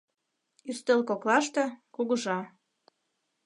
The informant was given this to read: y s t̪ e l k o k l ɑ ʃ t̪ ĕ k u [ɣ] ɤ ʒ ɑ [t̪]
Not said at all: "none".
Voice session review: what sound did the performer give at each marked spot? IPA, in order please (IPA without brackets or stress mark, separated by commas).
ɣ, none